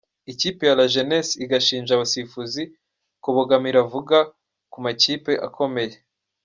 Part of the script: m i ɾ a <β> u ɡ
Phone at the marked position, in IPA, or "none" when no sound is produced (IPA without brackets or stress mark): v